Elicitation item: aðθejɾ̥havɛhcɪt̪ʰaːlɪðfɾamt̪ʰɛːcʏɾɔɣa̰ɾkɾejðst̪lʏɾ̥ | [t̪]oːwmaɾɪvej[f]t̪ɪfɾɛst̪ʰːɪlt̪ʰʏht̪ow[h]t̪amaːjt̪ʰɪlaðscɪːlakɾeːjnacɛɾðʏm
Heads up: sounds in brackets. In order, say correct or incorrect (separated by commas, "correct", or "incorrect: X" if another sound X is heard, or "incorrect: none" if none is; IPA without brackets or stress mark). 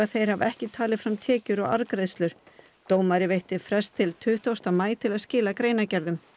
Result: correct, incorrect: h, incorrect: s